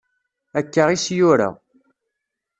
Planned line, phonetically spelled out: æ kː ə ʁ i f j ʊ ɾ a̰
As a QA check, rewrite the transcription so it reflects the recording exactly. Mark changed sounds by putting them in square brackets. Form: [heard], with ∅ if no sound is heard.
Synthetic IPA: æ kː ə ʁ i [s] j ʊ ɾ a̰

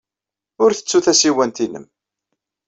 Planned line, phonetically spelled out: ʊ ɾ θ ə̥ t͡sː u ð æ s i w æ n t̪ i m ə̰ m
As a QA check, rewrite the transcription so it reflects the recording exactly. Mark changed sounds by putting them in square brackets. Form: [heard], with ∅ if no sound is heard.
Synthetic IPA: ʊ ɾ θ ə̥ t͡sː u [θ] æ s i w æ n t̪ i [n] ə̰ m

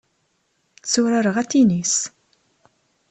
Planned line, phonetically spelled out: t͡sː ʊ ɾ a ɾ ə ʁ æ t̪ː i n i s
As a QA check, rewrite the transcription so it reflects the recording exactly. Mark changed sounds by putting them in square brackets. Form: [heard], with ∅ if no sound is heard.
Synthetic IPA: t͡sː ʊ ɾ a ɾ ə ʁ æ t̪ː i n i s

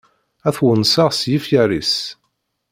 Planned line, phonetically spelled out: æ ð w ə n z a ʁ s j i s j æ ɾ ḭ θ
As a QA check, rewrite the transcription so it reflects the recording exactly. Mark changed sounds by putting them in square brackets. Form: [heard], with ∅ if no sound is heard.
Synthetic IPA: æ [θ] w ə n [s] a ʁ s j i [f] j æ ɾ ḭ [s]

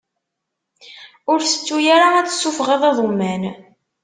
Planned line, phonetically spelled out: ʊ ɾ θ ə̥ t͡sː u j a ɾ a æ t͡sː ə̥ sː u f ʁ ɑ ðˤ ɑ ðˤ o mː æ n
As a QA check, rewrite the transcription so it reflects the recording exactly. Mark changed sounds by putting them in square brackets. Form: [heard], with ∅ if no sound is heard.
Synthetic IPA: ʊ ɾ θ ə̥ t͡sː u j a ɾ a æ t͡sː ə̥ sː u f ʁ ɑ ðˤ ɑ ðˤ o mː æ n

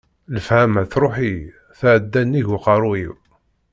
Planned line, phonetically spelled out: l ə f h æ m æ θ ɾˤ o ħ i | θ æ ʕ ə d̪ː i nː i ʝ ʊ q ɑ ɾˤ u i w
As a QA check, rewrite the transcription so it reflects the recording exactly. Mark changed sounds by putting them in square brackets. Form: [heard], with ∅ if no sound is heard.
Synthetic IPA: l ə f h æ m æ θ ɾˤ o ħ i | θ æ ʕ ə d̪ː [æ] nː i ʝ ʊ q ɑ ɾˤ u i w

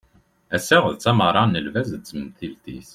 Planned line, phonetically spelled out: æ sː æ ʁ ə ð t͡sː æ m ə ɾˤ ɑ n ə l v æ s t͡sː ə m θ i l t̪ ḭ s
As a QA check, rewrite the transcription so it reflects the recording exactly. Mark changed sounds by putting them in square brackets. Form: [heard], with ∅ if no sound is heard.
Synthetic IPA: æ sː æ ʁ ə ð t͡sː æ m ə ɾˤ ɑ n ə l v æ [z] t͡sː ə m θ i l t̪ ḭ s

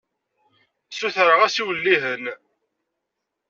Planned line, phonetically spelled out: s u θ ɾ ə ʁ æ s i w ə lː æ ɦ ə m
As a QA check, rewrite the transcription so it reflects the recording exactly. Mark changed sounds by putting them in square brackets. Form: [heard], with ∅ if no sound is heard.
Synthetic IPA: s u θ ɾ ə ʁ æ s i w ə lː [i] ɦ ə [n]

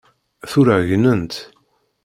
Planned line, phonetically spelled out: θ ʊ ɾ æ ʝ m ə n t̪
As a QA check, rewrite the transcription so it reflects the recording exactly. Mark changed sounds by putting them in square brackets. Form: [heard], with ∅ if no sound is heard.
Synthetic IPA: θ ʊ ɾ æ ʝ [n] ə n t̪

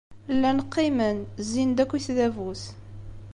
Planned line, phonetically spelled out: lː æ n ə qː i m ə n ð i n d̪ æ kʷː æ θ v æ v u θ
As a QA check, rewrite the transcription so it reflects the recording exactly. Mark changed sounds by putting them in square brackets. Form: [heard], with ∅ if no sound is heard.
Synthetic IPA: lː æ n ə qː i m ə n [z] i n d̪ æ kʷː [i] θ [ð] æ v u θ

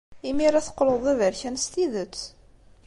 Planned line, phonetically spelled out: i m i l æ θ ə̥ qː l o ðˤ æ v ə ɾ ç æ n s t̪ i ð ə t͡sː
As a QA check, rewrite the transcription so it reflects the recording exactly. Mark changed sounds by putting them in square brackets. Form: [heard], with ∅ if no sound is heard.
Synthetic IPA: i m i [ɾ] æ θ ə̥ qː l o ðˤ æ v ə ɾ ç æ n s t̪ i ð ə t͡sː

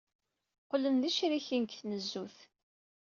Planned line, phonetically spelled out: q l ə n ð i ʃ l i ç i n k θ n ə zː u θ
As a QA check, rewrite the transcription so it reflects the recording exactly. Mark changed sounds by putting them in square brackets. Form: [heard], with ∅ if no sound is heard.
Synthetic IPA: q l ə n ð i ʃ [ɾ] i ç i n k θ n ə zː u θ

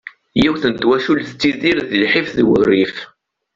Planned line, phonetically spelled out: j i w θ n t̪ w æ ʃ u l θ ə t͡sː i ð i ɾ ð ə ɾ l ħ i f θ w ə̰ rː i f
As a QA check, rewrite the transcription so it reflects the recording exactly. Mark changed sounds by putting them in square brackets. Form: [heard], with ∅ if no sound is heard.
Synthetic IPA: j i w θ n t̪ w æ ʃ u l θ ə t͡sː i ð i ɾ ð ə [∅] l ħ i f [ð] w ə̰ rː i f

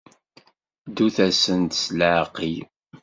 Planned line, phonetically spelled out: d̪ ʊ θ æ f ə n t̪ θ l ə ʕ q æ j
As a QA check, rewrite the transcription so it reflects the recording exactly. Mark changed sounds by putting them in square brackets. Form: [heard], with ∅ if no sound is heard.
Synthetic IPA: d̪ [u] θ æ [s] ə n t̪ [s] l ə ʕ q [i] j

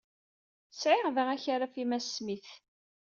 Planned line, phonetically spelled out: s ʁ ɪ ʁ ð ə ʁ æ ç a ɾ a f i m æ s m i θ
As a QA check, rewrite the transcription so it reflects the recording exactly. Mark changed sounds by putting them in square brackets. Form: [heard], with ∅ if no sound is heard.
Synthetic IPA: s [ʕ] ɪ ʁ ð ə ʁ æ ç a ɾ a f i m æ s m i θ

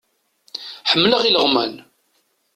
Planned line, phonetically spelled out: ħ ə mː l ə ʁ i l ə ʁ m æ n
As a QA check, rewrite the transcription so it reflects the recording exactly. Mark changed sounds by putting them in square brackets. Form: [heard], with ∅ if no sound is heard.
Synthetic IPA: ħ ə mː l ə ʁ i l ə ʁ m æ n

